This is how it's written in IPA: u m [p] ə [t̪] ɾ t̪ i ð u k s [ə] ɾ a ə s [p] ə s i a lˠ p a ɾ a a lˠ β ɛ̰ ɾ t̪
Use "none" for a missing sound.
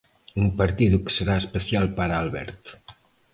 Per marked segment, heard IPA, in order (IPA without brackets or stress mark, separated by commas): p, none, ə, p